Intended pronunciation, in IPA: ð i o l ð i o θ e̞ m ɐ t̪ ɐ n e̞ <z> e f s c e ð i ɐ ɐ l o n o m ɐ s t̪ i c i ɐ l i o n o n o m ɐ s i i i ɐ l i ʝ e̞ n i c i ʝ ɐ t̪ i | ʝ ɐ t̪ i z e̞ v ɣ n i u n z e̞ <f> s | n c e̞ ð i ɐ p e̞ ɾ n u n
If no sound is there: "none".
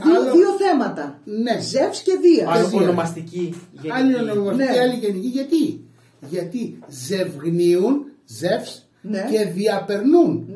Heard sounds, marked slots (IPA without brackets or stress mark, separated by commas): z, f